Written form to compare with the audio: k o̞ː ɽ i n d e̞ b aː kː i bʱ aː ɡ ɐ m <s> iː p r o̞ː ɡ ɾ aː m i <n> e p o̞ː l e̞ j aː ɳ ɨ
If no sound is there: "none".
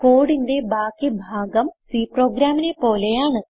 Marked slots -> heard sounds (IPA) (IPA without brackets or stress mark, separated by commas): s, n